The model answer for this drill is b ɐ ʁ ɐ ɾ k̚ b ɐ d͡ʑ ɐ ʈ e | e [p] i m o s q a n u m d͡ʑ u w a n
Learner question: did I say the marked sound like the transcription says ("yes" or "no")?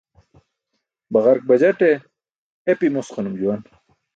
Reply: yes